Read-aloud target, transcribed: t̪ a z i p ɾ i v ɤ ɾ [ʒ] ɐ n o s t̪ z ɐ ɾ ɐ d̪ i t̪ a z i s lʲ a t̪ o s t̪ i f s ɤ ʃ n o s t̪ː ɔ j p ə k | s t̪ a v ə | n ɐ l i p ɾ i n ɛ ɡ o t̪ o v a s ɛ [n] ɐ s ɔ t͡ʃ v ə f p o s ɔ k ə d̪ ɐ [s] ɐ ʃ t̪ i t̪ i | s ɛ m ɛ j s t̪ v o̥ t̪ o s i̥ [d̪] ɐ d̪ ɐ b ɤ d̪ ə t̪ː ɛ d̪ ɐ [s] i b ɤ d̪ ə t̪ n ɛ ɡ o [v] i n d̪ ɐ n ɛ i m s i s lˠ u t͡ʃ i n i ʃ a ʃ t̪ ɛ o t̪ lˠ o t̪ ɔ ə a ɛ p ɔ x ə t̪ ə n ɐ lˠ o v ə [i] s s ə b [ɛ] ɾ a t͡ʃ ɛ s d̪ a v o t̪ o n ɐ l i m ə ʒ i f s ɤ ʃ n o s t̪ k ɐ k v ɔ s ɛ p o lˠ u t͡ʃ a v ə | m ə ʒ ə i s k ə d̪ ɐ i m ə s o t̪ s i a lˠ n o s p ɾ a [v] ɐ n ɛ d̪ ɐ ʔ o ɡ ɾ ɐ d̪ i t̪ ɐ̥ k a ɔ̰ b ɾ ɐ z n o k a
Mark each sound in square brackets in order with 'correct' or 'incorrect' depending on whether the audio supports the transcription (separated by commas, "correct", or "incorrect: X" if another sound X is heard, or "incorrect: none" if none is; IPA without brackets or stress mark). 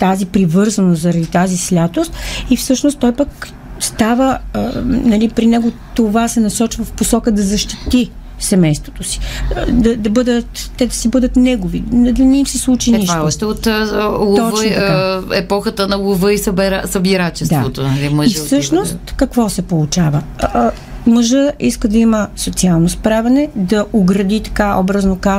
incorrect: z, correct, incorrect: z, correct, correct, correct, correct, incorrect: i, correct